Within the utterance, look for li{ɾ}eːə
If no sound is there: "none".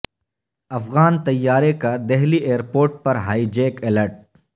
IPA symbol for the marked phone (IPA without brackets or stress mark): none